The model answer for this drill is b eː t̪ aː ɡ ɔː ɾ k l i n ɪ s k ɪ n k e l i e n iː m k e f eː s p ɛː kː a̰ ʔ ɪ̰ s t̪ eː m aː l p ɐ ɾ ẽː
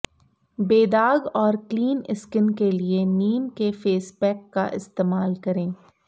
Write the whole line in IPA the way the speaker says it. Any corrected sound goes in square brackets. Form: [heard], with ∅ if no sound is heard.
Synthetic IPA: b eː [d̪] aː ɡ ɔː ɾ k l [iː] n ɪ s k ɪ n k e l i e n iː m k e f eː s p ɛː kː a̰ ʔ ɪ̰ s t̪ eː m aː l [k] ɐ ɾ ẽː